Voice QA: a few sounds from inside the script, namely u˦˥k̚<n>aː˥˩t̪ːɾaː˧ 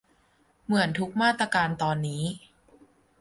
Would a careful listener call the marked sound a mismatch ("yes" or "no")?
yes